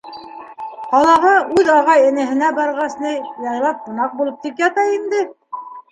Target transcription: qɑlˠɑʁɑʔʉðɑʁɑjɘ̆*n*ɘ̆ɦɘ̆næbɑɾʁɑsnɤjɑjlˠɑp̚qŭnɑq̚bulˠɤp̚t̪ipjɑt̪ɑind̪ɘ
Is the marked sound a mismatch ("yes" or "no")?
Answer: no